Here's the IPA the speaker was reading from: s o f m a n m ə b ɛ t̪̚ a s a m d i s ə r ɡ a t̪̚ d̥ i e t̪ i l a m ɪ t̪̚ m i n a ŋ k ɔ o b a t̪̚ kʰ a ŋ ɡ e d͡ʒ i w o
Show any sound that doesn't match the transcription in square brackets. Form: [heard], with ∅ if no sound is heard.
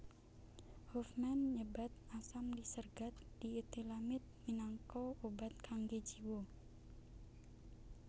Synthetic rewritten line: [h] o f m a n [ɲ] ə b [a] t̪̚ a s a m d i s ə r ɡ a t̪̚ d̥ i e t̪ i l a m ɪ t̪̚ m i n a ŋ k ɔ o b a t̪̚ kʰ a ŋ ɡ e d͡ʒ i w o